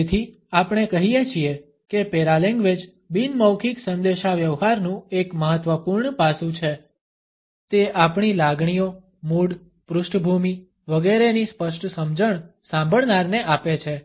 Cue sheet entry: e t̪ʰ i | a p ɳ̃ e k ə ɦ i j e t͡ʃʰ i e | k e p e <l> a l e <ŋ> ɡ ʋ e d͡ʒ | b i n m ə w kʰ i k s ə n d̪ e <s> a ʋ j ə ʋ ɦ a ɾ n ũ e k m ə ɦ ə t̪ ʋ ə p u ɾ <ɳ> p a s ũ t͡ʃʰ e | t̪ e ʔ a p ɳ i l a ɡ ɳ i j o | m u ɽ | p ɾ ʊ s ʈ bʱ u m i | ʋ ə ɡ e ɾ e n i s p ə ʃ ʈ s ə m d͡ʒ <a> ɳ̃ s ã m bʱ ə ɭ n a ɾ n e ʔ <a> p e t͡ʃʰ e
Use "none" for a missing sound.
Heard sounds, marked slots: ɾ, ŋ, ʃ, ɳ, ə, a

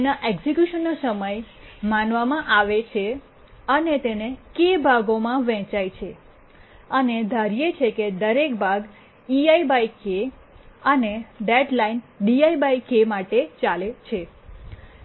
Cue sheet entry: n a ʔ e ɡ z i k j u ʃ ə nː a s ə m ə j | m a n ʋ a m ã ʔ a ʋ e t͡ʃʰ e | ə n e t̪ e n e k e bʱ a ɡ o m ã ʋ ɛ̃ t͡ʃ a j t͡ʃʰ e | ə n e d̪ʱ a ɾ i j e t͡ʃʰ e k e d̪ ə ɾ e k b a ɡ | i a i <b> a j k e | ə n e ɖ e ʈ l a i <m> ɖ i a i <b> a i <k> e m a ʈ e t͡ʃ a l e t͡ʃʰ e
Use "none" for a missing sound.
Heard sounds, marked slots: b, n, b, k

